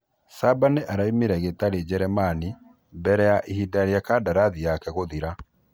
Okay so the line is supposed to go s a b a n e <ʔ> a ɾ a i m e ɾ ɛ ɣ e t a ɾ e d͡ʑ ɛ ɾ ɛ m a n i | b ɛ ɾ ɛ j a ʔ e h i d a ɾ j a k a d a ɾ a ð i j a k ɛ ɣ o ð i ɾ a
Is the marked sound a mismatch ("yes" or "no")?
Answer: no